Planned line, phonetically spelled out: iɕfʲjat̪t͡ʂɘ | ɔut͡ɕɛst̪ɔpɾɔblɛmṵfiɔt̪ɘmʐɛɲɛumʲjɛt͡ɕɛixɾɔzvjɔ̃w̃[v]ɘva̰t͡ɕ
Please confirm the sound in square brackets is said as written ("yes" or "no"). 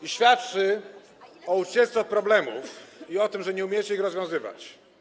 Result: no